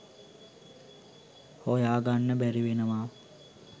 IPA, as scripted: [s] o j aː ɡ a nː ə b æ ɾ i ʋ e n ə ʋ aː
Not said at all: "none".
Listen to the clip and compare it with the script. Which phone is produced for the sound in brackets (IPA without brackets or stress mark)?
h